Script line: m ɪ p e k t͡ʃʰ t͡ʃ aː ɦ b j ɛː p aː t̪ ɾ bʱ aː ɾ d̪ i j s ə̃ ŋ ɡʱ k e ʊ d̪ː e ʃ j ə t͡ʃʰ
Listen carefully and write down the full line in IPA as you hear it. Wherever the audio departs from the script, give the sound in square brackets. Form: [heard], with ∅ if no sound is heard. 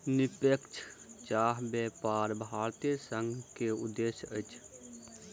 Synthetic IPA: [n] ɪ p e k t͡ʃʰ t͡ʃ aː ɦ b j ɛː p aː [∅] ɾ bʱ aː ɾ [t̪] i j s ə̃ ŋ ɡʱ k e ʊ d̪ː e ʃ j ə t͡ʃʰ